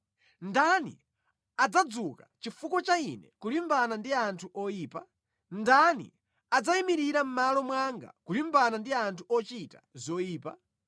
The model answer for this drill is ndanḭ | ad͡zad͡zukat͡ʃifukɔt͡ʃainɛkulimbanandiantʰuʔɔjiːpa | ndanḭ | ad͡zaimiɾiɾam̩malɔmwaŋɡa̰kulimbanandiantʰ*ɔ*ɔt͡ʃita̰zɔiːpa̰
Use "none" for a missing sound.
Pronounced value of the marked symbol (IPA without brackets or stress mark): u